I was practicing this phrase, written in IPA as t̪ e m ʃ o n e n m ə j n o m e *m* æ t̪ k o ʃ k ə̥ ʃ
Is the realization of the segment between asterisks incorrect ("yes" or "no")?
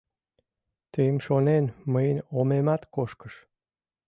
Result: no